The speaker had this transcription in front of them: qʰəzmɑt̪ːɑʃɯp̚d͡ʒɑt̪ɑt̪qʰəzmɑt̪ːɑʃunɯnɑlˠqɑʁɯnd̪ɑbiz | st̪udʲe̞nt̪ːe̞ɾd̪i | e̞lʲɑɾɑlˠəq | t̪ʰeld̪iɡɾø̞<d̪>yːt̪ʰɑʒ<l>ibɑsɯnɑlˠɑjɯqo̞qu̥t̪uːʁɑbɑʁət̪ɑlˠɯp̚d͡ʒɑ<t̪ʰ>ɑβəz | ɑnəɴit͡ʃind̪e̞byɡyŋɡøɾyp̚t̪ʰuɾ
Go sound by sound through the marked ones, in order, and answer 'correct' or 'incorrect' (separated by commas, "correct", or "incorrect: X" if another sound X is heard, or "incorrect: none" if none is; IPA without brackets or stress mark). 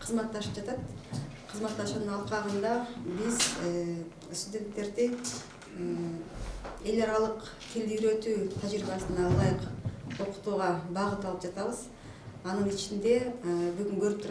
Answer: incorrect: t̪, incorrect: ɾ, incorrect: t̪